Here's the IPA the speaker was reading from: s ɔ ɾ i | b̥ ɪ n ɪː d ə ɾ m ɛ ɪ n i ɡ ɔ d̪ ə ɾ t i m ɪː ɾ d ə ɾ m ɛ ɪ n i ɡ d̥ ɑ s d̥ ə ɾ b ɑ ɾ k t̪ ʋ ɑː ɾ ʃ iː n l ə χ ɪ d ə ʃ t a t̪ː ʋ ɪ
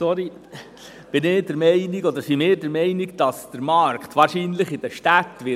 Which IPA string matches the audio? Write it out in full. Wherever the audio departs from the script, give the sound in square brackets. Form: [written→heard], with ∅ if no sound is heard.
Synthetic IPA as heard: s ɔ ɾ i | b̥ ɪ n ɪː d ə ɾ m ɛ ɪ n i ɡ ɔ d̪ ə ɾ [t→s] i m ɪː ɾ d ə ɾ m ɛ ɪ n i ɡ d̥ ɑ s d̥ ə ɾ [b→m] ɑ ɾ k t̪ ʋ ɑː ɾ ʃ iː n l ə χ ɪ d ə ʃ t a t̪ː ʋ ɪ